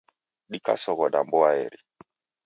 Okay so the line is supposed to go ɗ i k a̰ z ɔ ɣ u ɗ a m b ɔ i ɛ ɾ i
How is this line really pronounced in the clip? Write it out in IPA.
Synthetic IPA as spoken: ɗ i k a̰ s ɔ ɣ ɔ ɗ a m b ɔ a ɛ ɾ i